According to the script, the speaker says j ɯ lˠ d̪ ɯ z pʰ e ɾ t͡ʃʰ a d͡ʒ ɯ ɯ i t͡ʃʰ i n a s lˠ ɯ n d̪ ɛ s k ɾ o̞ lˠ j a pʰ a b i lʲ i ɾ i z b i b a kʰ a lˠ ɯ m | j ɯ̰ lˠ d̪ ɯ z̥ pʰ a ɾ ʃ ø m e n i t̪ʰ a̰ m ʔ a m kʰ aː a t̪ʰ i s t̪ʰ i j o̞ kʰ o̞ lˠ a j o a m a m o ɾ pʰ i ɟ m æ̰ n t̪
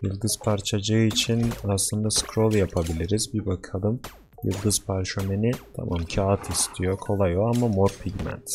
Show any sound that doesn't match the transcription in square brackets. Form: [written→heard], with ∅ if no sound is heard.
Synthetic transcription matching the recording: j ɯ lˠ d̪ ɯ z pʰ [e→a] ɾ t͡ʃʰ a d͡ʒ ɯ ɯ i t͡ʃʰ i n a s lˠ ɯ n d̪ [ɛ→a] s k ɾ o̞ lˠ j a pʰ a b i lʲ i ɾ i z b i b a kʰ a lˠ ɯ m | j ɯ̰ lˠ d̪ ɯ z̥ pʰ a ɾ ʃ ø m e n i t̪ʰ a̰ m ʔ a m [kʰ→cʰ] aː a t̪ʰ i s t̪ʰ i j o̞ kʰ o̞ lˠ a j o a m a m o ɾ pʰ i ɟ m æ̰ n t̪